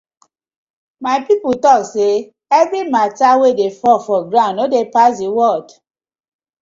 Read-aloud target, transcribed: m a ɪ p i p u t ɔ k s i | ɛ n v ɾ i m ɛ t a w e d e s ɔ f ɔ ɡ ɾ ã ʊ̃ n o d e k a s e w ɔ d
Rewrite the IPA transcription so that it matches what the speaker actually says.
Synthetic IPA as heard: m a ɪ p i p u t ɔ k s e | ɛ v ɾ i m a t a w e d e f ɔ f ɔ ɡ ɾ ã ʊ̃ n o d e p a s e w ɔ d